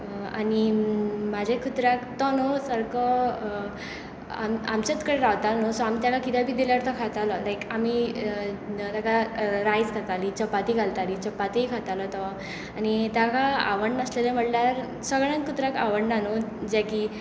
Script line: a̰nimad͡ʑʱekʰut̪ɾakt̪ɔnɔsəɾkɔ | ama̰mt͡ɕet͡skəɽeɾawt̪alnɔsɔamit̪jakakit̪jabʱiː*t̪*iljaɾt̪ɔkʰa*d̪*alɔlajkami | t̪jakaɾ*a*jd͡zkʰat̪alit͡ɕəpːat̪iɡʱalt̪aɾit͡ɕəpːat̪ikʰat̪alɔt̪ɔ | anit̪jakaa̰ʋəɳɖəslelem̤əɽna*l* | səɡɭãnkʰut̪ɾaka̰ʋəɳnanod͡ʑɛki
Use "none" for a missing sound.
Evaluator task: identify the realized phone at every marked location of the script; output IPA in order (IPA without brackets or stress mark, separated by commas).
d̪, t̪, a, ɾ